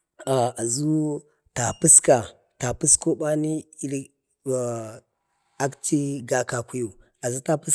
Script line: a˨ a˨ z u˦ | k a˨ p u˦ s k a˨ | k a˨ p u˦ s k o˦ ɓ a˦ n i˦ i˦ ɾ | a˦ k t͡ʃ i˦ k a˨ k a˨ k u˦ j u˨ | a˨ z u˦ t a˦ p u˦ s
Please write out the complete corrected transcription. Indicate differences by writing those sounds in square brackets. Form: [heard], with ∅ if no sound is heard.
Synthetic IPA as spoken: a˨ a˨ z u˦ | [t] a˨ p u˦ s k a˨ | [t] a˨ p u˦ s k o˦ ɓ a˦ n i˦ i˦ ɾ | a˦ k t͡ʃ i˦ [ɡ] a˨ k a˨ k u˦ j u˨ | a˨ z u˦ t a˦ p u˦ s